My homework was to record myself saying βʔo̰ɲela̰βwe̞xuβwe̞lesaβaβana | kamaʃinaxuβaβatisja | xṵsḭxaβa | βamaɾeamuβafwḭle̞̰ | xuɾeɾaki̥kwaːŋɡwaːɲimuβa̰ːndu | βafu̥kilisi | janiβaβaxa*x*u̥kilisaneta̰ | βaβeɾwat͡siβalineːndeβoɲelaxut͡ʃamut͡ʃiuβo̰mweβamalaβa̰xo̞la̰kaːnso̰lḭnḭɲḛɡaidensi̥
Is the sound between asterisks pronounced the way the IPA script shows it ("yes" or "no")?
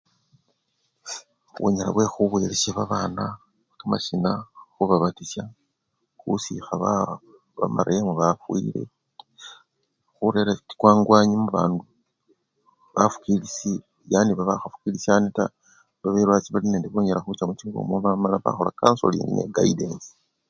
no